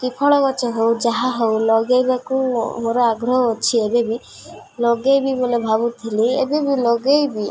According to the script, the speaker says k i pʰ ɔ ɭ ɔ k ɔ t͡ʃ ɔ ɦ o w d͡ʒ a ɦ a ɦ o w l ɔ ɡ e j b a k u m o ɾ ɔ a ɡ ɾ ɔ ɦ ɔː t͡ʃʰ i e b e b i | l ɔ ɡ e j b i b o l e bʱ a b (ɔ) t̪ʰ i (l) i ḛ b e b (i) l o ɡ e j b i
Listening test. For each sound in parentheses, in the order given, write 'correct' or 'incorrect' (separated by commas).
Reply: incorrect, correct, correct